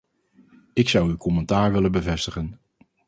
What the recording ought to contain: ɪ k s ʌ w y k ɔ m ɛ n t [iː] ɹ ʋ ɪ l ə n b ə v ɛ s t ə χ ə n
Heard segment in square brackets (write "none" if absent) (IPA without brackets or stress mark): aː